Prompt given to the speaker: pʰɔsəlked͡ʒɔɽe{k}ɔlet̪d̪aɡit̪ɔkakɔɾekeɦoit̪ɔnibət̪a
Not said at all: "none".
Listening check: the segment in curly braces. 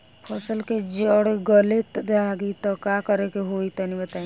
ɡ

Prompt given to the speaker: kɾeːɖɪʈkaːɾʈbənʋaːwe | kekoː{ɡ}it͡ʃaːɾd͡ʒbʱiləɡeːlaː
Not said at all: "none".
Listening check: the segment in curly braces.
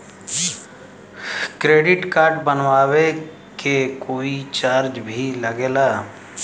none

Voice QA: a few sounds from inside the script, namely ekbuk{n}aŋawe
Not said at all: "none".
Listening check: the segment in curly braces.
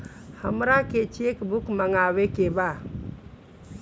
m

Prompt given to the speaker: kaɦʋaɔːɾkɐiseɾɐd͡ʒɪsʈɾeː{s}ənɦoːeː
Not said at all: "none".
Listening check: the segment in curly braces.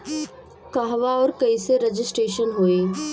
ʃ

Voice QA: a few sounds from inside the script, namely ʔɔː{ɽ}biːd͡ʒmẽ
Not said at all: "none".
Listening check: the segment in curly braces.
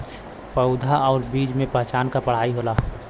ɾ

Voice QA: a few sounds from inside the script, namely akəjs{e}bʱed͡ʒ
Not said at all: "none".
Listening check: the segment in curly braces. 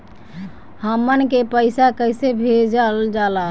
e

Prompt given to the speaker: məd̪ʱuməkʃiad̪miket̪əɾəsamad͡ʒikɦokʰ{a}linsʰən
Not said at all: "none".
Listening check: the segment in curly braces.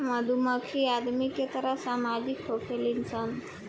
e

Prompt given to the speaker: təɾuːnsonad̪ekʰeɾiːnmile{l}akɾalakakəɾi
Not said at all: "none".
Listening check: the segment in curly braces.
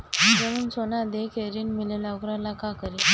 l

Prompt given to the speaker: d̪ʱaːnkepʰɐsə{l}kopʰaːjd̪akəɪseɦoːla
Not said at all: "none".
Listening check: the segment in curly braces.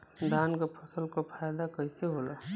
l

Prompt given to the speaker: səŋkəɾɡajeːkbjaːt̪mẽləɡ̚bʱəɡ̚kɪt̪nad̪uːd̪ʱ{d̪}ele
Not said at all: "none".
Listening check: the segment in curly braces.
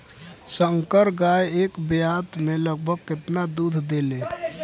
d̪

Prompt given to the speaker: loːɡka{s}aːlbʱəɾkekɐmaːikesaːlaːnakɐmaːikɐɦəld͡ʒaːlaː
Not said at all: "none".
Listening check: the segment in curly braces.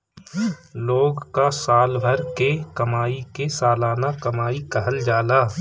s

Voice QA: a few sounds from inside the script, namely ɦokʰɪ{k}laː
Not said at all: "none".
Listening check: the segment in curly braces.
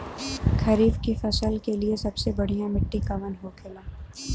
none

